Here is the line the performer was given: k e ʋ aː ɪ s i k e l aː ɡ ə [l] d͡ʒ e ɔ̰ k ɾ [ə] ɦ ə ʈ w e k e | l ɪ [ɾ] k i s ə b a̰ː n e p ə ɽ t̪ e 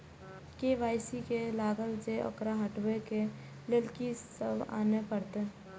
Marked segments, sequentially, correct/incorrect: correct, incorrect: a, incorrect: l

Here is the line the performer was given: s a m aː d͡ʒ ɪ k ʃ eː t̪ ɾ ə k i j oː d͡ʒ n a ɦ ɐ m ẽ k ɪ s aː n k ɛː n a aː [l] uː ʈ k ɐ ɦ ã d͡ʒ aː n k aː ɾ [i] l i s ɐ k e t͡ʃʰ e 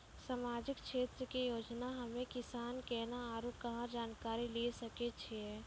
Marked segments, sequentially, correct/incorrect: incorrect: ɾ, correct

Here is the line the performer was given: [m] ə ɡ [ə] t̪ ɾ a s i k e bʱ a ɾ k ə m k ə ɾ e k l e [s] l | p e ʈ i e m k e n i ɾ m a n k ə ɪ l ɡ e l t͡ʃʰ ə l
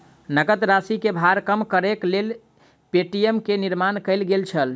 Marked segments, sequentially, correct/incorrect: incorrect: n, correct, incorrect: none

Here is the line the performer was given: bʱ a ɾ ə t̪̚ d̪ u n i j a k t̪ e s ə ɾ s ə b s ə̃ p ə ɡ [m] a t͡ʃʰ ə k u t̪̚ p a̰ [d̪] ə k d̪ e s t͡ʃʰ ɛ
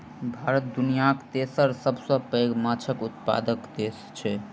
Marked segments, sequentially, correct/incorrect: correct, correct

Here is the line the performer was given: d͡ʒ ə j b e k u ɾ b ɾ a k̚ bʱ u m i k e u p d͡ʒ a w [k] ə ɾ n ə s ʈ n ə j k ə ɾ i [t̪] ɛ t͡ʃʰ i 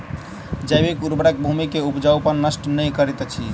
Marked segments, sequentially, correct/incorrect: incorrect: p, correct

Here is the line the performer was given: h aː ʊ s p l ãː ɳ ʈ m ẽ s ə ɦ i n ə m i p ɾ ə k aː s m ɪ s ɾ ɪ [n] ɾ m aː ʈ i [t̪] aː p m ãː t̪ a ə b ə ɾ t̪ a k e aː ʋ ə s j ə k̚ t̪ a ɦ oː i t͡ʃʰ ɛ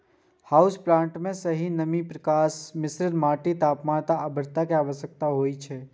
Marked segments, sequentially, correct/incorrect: incorrect: none, correct

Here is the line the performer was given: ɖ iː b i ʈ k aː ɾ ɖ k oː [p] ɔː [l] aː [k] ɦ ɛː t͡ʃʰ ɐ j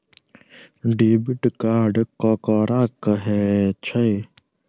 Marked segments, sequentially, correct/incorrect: incorrect: k, incorrect: ɾ, correct

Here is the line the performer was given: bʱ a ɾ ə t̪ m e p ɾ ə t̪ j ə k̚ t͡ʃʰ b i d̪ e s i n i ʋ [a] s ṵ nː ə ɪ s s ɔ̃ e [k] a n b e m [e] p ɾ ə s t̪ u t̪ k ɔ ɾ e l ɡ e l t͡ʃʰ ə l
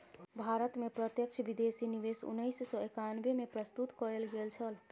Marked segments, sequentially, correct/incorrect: incorrect: e, correct, correct

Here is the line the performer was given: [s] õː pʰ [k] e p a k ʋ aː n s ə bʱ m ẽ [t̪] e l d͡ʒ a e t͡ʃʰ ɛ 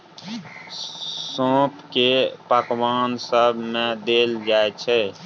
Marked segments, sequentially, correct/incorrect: correct, correct, incorrect: d̪

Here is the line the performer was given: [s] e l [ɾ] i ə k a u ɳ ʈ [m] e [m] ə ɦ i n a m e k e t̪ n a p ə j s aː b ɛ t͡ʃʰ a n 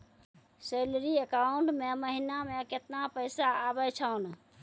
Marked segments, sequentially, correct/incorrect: correct, correct, correct, correct

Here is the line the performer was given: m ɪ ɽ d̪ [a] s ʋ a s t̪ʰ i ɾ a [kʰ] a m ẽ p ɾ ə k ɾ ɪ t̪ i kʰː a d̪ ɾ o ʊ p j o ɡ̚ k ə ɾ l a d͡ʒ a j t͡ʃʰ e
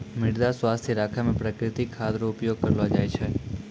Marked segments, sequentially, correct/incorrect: correct, correct

